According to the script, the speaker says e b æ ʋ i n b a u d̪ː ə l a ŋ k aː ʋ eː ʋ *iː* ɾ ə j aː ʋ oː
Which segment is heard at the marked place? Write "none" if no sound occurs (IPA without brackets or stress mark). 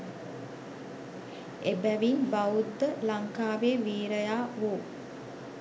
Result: iː